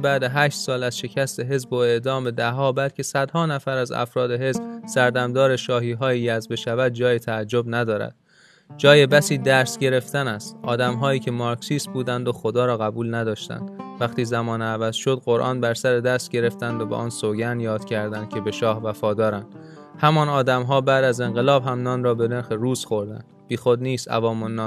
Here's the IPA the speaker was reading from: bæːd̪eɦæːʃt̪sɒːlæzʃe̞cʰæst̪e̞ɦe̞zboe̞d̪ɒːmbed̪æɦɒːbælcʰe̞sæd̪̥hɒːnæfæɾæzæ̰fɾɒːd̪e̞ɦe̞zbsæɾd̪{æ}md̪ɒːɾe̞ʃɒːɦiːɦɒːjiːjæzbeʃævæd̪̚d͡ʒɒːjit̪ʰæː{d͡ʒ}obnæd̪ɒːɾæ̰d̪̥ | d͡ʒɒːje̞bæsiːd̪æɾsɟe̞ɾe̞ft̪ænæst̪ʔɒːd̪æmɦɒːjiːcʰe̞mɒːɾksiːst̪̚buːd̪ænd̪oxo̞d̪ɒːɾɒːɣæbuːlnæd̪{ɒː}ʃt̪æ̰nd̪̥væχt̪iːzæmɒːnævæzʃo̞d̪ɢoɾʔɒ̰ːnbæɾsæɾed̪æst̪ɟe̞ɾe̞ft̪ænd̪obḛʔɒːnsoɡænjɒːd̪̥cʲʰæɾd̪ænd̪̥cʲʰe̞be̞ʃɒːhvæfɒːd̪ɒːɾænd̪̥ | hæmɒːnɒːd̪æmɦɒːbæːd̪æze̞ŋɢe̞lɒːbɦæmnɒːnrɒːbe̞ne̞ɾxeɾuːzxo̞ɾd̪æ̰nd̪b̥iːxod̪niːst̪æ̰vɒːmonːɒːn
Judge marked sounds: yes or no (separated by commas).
yes, no, yes